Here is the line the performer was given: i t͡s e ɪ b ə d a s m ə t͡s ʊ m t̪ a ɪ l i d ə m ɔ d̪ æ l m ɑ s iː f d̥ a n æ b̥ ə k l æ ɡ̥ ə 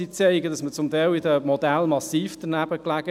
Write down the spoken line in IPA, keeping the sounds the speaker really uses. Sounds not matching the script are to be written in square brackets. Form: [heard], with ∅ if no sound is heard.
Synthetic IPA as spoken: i t͡s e ɪ [ɡ] ə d [ɑ] s m ə t͡s ʊ m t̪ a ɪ l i d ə m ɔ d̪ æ l m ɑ s iː f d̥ [ə] n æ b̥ ə k l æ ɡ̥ ə

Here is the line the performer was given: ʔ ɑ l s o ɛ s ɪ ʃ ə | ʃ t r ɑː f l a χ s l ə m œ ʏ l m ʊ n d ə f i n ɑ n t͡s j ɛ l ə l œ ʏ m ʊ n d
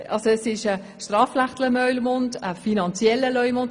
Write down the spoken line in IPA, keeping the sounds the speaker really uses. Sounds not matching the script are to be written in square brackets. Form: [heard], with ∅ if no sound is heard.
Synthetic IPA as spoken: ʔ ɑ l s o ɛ s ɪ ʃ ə | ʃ t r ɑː f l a χ [t] l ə m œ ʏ l m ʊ n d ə f i n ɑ n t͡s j ɛ l ə l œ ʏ m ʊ n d

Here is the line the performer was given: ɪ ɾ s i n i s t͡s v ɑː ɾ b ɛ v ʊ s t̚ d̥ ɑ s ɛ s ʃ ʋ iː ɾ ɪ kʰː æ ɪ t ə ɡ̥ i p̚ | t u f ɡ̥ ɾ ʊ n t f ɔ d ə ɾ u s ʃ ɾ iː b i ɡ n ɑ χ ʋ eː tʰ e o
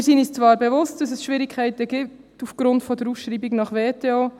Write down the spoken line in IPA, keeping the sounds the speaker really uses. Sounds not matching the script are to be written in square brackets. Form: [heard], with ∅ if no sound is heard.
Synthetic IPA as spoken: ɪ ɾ s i n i s t͡s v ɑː ɾ b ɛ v ʊ s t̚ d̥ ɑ s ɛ s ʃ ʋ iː ɾ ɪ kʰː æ ɪ t ə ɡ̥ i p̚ | t u f ɡ̥ ɾ ʊ n t f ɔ d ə ɾ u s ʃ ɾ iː b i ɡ n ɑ χ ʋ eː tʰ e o

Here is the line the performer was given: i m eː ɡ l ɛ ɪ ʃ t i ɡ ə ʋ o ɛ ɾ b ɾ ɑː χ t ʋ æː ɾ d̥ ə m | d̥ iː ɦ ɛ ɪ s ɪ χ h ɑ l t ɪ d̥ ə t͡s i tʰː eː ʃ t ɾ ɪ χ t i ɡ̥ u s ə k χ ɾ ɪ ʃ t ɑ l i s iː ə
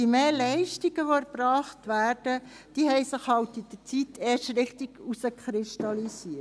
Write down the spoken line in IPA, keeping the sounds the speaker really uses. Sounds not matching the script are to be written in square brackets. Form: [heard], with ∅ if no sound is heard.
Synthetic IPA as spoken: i m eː [∅] l ɛ ɪ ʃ t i ɡ ə ʋ o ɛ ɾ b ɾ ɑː χ t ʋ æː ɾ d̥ ə [∅] | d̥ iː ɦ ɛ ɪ s ɪ χ h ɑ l t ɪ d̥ ə t͡s i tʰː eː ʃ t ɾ ɪ χ t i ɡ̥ u s ə k χ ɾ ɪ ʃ t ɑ l i s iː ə

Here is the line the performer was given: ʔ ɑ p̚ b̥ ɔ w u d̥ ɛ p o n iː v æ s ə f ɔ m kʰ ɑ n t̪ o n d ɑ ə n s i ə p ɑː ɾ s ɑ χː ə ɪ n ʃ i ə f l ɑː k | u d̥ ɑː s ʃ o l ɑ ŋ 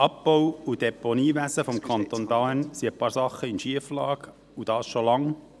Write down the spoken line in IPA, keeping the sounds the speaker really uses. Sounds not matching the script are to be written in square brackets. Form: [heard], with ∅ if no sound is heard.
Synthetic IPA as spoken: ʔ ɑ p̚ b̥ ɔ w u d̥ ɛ p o n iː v æ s ə f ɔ m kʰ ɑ n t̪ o n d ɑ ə n s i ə p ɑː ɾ s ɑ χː ə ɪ n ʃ i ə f l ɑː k | u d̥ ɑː s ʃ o l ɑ ŋ

